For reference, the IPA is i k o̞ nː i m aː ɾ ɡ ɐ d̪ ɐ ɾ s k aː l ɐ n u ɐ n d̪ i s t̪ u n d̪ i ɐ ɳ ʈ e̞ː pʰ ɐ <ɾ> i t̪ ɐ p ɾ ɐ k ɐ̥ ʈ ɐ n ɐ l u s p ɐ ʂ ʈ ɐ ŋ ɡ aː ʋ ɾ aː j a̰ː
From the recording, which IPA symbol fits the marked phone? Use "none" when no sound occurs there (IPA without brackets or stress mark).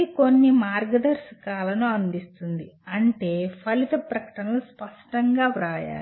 l